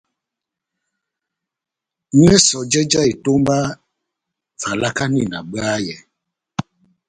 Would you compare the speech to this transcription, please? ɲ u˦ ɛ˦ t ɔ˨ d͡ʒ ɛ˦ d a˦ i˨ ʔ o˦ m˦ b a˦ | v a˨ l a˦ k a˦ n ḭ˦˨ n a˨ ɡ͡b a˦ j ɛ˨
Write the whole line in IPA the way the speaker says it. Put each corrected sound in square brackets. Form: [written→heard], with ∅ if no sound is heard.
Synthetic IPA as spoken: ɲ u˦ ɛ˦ [t→s] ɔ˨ d͡ʒ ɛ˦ [d→d͡ʒ] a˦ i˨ [ʔ→t] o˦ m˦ b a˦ | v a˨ l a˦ k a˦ n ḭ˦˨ n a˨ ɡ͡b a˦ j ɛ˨